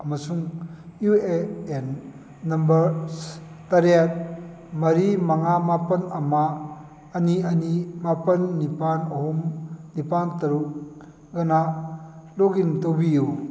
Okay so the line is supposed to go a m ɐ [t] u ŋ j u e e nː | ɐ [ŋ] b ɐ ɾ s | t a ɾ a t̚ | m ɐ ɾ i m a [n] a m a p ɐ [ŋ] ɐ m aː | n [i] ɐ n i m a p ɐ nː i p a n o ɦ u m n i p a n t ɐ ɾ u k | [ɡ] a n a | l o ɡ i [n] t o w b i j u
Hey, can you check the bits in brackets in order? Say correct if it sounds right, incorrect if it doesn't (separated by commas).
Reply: incorrect, incorrect, incorrect, incorrect, correct, correct, correct